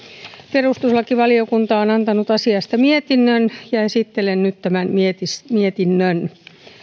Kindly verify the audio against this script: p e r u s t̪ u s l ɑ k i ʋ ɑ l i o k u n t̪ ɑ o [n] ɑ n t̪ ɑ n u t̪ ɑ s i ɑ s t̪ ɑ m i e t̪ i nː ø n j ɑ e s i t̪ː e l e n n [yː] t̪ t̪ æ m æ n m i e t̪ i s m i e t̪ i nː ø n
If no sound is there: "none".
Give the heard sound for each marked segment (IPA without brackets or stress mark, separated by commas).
n, y